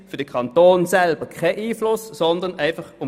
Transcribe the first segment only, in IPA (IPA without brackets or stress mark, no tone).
f